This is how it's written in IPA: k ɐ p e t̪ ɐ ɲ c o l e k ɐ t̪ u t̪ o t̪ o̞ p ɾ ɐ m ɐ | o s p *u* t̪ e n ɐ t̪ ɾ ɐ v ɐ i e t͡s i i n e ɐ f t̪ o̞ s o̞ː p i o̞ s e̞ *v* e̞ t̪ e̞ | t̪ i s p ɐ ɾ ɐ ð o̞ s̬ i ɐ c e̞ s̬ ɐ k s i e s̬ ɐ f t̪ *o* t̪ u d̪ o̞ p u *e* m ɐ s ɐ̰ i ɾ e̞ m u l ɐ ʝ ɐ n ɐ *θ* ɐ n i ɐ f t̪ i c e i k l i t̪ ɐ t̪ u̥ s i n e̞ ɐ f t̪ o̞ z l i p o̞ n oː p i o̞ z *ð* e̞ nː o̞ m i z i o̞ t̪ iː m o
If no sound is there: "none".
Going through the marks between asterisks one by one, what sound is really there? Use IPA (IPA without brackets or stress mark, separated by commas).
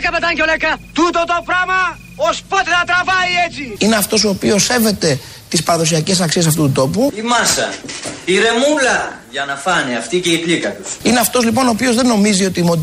o, v, u, i, f, ð